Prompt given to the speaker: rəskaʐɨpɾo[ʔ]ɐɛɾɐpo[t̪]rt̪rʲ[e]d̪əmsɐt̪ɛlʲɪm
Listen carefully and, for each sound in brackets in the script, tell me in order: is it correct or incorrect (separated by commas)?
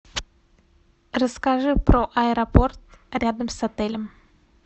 correct, incorrect, incorrect